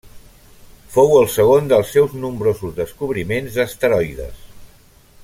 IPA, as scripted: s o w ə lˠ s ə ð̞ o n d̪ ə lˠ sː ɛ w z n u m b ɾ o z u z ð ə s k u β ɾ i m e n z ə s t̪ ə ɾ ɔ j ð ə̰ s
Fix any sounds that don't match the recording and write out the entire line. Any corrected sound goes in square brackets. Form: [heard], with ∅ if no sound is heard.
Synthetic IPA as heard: [f] o w ə lˠ s ə [ɣ̞] o n d̪ ə lˠ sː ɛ w z n u m b ɾ o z u z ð ə s k u β ɾ i m e n z ə s t̪ ə ɾ ɔ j ð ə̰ s